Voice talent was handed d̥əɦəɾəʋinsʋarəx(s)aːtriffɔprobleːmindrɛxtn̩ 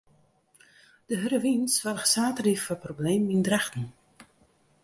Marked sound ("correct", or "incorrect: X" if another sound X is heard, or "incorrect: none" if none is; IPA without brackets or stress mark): correct